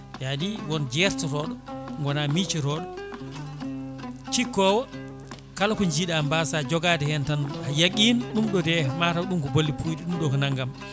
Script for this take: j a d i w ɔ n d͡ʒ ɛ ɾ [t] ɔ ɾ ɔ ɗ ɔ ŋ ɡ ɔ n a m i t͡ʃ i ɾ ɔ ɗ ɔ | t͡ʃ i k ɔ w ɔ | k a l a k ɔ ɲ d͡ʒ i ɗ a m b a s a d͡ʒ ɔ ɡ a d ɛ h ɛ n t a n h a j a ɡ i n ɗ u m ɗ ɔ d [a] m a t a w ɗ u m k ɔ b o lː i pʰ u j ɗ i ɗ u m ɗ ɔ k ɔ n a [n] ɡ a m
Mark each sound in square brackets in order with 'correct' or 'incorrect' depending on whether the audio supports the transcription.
correct, incorrect, incorrect

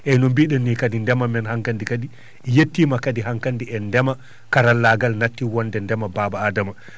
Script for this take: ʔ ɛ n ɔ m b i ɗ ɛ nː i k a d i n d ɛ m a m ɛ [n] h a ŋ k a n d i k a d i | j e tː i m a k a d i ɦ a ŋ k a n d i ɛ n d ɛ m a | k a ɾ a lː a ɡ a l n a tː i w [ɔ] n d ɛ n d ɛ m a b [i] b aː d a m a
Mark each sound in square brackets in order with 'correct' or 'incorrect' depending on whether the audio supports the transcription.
correct, correct, incorrect

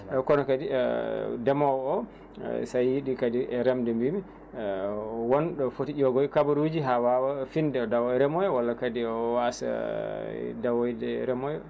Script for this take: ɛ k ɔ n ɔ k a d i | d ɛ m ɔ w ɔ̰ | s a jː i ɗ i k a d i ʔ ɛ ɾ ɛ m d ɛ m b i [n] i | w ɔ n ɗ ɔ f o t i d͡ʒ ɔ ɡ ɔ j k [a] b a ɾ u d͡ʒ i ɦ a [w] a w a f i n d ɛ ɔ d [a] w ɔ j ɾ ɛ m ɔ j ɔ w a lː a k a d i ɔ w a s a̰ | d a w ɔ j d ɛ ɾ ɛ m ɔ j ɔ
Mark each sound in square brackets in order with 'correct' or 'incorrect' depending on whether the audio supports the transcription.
incorrect, correct, correct, correct

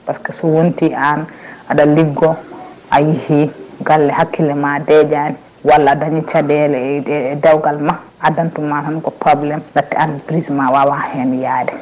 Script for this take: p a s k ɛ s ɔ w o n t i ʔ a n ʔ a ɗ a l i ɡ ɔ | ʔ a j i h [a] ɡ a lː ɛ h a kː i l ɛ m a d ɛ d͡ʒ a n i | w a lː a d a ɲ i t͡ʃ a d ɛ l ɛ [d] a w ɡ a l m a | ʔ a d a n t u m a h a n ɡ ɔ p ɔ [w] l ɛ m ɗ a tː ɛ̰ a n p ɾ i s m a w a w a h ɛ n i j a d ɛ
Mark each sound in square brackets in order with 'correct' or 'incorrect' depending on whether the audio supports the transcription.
incorrect, correct, incorrect

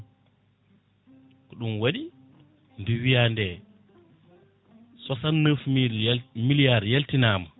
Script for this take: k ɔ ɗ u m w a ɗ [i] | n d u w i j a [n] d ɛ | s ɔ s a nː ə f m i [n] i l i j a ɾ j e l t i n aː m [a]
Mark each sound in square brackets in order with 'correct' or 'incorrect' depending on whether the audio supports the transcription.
correct, correct, incorrect, correct

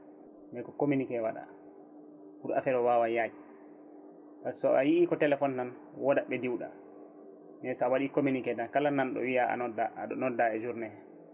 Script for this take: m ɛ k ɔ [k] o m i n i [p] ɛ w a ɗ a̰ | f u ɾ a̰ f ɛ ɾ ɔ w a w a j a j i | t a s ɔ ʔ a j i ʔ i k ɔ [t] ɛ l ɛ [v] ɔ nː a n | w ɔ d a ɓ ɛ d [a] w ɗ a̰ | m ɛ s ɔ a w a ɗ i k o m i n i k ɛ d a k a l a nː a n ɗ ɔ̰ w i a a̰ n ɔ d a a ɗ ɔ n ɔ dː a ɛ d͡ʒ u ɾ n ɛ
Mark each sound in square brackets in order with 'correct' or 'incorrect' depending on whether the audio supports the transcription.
correct, incorrect, correct, incorrect, incorrect

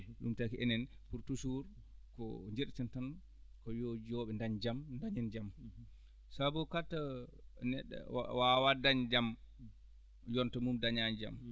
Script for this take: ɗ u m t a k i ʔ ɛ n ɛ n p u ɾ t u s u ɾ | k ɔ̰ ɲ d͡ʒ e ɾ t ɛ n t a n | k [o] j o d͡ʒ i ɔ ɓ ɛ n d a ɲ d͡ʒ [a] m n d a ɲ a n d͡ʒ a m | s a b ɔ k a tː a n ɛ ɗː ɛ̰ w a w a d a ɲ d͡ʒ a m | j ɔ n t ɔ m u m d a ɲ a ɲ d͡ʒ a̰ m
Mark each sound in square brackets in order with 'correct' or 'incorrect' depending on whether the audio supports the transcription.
incorrect, correct

